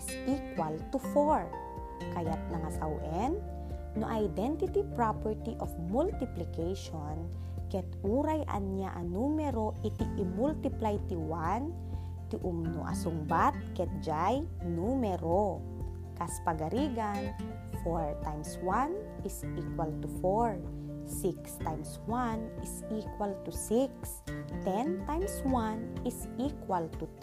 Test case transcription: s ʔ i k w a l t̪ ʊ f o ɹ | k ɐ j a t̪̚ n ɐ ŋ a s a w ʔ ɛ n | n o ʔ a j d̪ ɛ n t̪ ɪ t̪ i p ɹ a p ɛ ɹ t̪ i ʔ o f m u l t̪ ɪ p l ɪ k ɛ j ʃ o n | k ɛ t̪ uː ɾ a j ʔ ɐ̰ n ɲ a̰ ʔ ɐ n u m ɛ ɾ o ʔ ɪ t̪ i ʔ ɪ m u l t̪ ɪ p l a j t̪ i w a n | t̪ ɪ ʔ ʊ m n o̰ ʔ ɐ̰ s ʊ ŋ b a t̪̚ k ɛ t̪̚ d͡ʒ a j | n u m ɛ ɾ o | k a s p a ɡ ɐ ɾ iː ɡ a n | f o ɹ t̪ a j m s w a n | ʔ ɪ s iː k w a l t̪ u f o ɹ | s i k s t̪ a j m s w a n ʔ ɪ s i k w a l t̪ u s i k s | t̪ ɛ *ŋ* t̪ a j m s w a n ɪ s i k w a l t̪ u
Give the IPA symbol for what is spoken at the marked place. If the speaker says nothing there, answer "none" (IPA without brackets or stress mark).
n